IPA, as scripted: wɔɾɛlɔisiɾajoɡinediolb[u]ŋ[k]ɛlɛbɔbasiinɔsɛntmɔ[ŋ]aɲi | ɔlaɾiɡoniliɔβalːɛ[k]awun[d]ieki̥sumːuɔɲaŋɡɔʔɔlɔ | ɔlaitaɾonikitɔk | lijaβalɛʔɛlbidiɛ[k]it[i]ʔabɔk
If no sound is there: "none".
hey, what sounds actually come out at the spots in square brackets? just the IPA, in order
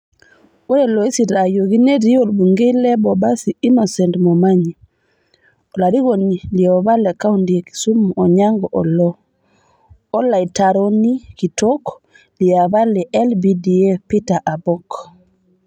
u, ɡ, m, k, d, p, a

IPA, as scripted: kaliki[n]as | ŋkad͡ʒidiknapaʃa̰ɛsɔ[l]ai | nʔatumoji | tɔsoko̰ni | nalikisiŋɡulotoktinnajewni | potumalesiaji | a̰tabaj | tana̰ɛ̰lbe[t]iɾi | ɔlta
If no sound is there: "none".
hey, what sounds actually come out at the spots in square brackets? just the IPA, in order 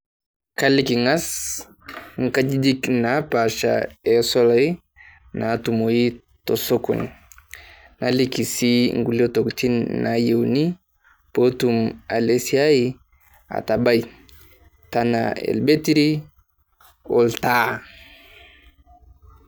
ŋ, l, t

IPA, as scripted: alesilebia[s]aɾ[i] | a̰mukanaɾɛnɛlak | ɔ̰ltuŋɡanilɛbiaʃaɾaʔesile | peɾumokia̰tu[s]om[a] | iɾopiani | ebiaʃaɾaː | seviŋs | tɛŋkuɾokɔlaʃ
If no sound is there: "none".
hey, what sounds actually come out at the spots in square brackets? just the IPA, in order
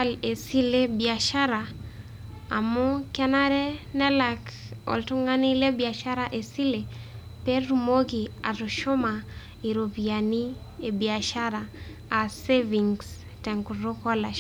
ʃ, a, ʃ, a

